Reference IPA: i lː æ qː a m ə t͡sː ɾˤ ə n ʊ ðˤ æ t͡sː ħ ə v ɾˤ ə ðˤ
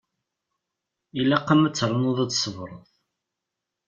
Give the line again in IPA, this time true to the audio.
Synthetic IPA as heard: i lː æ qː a m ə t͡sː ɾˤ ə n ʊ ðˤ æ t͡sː s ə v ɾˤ ə ðˤ